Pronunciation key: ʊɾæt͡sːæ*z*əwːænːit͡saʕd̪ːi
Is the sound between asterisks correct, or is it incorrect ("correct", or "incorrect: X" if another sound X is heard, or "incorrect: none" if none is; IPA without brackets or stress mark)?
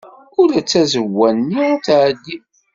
correct